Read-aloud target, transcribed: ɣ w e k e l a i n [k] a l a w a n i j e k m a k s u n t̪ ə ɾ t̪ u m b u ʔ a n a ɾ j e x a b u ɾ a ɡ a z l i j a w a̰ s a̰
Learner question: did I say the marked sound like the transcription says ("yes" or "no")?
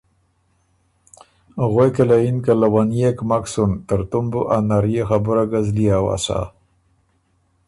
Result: yes